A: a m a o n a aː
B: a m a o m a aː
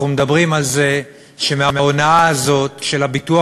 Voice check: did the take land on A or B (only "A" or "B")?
A